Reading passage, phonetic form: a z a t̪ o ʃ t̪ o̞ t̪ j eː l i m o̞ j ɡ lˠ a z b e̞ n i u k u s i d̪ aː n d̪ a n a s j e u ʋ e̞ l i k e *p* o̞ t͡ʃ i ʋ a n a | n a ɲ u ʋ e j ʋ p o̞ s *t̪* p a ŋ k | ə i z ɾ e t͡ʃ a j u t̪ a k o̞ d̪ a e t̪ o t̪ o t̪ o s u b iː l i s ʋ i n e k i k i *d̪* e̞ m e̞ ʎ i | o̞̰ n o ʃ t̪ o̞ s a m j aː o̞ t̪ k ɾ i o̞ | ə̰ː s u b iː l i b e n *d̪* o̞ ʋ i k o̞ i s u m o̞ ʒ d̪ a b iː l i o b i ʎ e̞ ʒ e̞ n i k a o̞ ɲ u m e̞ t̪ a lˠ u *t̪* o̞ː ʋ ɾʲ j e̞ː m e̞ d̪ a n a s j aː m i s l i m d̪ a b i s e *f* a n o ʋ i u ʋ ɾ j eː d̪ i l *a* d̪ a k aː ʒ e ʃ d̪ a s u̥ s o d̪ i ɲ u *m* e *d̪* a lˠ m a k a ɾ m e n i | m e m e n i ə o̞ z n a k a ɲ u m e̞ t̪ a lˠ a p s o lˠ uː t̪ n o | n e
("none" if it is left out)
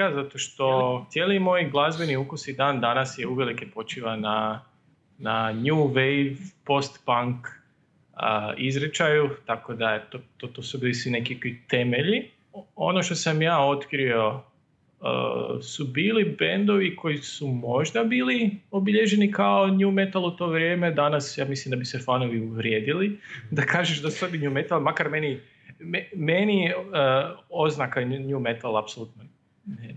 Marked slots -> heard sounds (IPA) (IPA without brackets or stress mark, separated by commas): p, t̪, t̪, d̪, t̪, f, i, m, t̪